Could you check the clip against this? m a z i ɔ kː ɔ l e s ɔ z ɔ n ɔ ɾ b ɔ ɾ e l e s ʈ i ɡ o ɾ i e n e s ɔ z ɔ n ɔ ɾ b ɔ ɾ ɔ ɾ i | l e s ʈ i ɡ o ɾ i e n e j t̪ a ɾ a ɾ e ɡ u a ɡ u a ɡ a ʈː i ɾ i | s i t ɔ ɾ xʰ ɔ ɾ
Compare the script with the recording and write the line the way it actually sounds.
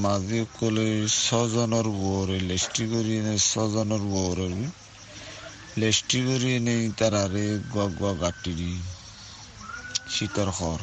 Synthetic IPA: m a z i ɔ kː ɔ l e s ɔ z ɔ n ɔ ɾ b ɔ ɾ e l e s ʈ i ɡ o ɾ i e n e s ɔ z ɔ n ɔ ɾ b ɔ ɾ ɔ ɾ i | l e s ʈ i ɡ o ɾ i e n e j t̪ a ɾ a ɾ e ɡ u a ɡ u a ɡ a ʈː i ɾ i | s i t ɔ ɾ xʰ ɔ ɾ